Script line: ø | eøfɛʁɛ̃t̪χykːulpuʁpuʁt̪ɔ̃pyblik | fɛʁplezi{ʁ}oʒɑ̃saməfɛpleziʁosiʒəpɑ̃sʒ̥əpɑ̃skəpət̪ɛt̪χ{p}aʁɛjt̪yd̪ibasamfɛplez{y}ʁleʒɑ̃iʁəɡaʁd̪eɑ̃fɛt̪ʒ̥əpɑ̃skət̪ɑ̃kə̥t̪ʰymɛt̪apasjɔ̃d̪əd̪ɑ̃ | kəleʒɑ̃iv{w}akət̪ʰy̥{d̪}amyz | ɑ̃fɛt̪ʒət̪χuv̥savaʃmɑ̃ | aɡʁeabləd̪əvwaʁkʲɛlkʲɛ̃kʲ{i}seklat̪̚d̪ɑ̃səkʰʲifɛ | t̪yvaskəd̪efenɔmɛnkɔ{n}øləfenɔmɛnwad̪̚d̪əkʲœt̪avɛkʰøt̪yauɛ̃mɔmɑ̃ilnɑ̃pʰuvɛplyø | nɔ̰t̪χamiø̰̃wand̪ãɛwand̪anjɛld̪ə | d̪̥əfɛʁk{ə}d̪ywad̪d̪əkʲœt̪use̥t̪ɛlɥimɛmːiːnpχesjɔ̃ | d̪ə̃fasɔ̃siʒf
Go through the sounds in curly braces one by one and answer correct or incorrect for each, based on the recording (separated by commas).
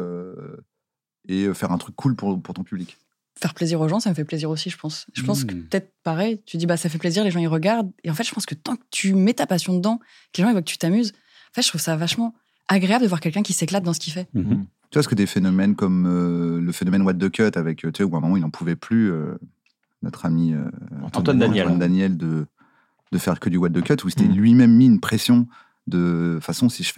correct, correct, incorrect, correct, incorrect, correct, incorrect, correct